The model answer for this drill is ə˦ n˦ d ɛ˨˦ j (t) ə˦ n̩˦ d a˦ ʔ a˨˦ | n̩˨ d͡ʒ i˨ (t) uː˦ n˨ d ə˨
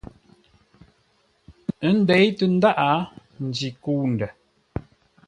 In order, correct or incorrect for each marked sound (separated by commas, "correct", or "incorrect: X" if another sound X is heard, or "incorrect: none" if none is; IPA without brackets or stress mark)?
correct, incorrect: k